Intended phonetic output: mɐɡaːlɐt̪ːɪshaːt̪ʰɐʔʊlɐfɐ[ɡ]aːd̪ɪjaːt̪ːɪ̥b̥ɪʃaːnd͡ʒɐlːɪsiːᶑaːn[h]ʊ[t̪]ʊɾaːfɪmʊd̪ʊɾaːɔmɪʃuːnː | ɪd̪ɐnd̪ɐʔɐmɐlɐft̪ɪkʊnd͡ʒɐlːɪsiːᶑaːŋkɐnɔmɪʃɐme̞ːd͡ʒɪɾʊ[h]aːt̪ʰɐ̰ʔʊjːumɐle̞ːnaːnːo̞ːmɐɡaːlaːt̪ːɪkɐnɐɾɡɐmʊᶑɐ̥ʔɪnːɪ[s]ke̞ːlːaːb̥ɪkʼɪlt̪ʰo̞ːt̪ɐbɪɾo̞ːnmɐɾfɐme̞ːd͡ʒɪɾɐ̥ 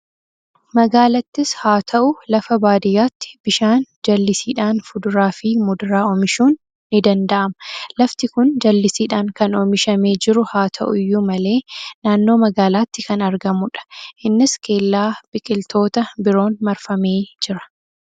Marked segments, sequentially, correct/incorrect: incorrect, incorrect, incorrect, correct, correct

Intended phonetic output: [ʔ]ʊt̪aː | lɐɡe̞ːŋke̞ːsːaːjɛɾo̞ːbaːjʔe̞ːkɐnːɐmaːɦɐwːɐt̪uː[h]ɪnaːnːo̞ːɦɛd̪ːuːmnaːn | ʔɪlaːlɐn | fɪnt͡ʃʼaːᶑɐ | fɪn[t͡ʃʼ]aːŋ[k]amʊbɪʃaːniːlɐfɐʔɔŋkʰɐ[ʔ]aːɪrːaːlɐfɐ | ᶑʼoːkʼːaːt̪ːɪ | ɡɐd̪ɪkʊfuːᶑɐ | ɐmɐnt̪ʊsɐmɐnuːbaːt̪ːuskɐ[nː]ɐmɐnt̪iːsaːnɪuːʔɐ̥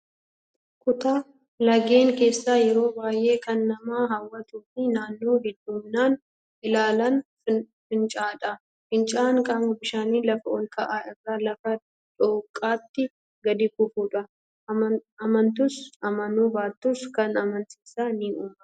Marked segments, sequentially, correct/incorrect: incorrect, incorrect, correct, incorrect, correct, incorrect

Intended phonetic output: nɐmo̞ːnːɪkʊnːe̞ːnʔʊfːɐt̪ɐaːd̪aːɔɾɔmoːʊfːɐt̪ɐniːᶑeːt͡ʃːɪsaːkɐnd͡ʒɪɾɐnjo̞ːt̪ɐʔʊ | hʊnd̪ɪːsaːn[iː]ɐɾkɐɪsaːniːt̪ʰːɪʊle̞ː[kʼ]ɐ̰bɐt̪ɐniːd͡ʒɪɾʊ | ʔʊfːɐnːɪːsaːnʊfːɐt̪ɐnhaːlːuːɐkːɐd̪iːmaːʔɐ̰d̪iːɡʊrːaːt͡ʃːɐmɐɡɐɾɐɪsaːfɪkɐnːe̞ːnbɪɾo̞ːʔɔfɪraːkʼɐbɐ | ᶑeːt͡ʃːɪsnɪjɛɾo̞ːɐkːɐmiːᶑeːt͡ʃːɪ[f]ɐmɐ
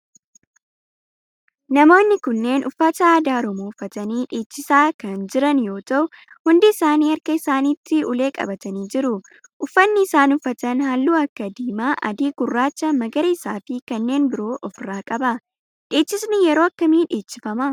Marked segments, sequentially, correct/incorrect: correct, correct, correct

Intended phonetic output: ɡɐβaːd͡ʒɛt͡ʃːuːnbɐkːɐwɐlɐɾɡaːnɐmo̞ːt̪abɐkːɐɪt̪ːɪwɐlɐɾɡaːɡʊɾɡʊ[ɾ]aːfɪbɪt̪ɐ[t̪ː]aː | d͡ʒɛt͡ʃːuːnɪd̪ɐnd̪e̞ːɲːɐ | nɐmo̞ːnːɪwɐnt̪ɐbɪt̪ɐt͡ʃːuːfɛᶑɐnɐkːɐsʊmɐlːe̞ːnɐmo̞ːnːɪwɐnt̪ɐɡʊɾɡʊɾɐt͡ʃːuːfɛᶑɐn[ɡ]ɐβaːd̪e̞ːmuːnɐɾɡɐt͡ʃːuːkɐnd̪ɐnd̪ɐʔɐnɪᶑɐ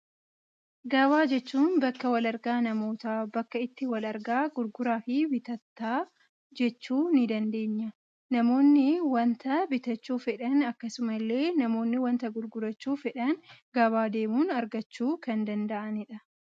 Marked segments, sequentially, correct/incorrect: correct, correct, correct

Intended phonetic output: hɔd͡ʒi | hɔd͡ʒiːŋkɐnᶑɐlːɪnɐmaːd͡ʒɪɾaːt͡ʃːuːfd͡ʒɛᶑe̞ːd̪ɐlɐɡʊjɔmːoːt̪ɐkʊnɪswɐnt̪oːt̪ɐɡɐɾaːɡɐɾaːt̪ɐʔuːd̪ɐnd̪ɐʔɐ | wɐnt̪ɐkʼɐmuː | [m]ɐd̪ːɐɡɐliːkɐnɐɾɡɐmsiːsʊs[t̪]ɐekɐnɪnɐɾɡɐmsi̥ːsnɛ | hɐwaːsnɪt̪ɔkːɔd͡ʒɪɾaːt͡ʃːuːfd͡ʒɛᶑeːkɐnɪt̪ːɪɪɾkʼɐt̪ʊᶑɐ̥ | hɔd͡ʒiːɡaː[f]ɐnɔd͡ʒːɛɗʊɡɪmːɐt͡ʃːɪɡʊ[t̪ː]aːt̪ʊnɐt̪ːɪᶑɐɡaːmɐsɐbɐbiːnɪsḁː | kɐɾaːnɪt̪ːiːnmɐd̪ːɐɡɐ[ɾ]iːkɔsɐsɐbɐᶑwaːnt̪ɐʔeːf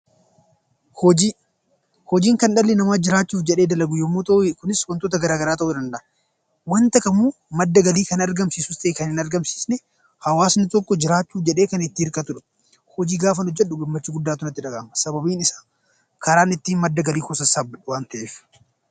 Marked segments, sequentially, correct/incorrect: correct, correct, correct, incorrect, incorrect

